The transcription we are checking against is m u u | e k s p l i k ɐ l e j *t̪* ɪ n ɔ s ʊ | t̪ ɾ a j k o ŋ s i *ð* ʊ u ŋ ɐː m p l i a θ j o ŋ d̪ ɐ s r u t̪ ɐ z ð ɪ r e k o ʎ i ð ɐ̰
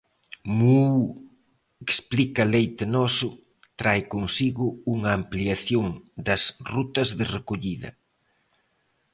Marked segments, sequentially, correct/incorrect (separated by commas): correct, incorrect